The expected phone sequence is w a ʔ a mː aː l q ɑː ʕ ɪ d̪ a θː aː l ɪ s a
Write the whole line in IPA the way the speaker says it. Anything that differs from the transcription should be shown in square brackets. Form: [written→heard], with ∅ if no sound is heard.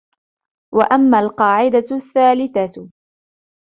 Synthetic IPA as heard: w a ʔ a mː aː l q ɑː ʕ ɪ d̪ a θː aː l ɪ [s→θ] a